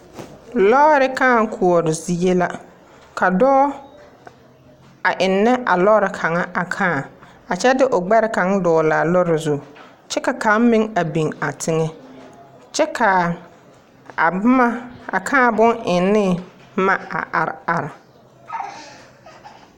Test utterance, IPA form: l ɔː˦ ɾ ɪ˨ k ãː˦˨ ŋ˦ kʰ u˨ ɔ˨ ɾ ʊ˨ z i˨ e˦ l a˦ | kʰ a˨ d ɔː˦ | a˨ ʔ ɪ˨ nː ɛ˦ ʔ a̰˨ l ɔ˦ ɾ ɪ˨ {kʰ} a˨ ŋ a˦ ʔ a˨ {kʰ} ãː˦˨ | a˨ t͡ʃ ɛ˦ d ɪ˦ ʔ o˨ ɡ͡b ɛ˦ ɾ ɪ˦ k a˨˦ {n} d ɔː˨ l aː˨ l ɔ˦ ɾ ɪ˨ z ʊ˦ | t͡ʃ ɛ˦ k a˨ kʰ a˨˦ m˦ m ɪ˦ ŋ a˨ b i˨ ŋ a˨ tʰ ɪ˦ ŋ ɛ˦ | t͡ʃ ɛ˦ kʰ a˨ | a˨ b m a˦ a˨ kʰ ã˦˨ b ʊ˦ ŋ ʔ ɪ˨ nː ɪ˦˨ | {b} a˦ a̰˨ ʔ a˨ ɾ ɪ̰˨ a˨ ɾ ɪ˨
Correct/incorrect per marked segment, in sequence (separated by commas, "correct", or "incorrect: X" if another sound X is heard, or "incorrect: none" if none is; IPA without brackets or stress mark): correct, correct, incorrect: ŋ, incorrect: m